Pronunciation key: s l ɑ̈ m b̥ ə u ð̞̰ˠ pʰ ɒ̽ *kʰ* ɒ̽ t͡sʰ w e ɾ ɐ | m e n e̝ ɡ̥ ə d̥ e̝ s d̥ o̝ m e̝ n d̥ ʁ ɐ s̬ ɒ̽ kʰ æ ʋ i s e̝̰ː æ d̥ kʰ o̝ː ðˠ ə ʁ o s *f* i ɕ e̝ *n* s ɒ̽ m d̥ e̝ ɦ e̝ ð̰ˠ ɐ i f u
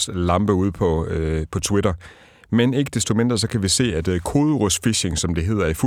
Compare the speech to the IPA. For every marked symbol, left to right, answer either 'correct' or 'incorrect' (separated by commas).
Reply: incorrect, correct, incorrect